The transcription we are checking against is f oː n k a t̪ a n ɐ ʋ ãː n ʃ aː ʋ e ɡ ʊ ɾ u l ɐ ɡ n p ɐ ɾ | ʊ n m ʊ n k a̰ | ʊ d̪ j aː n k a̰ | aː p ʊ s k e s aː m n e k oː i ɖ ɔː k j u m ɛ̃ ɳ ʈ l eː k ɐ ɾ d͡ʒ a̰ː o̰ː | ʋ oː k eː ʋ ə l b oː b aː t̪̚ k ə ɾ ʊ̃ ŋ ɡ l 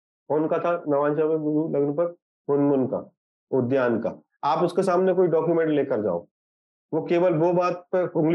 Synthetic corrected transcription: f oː n k a t̪ʰ a n ɐ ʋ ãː n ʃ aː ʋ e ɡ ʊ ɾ u l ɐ ɡ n p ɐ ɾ | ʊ n m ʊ n k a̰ | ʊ d̪ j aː n k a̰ | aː p ʊ s k e s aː m n e k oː i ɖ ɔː k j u m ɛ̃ ɳ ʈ l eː k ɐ ɾ d͡ʒ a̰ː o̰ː | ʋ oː k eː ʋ ə l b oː b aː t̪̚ p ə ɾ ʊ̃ ŋ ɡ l